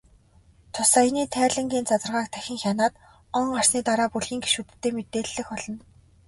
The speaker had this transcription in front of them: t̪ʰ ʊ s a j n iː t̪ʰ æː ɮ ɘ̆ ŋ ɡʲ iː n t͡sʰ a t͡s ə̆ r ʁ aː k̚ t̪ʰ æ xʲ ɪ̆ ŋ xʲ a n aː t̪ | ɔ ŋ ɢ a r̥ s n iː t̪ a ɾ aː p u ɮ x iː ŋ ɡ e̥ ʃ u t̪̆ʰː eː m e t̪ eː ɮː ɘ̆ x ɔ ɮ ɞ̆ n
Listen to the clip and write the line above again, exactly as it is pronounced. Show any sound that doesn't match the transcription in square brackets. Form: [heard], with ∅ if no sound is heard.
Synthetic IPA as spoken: t̪ʰ ʊ s a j n iː t̪ʰ æː ɮ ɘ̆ ŋ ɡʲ iː n [t͡s] a t͡s ə̆ r ʁ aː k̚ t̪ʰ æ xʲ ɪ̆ ŋ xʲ a n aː t̪ | ɔ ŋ ɢ a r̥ s n iː t̪ a ɾ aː p u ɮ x iː ŋ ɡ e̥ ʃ u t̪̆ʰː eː m e t̪ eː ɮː ɘ̆ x ɔ ɮ ɞ̆ n